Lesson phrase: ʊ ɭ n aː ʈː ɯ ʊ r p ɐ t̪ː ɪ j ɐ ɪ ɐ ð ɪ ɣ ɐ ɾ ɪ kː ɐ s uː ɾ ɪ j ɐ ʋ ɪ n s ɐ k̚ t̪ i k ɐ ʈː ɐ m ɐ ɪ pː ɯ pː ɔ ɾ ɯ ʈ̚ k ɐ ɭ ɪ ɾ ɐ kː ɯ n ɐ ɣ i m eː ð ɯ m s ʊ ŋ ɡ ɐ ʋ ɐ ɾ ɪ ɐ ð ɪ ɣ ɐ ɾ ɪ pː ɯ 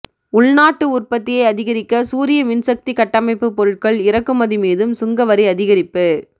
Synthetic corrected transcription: ʊ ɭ n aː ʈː ɯ ʊ r p ɐ t̪ː ɪ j ɐ ɪ ɐ ð ɪ ɣ ɐ ɾ ɪ kː ɐ s uː ɾ ɪ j ɐ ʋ ɪ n s ɐ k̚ t̪ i k ɐ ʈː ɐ m ɐ ɪ pː ɯ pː ɔ ɾ ɯ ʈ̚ k ɐ ɭ ɪ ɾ ɐ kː ɯ m ɐ ð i m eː ð ɯ m s ʊ ŋ ɡ ɐ ʋ ɐ ɾ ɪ ɐ ð ɪ ɣ ɐ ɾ ɪ pː ɯ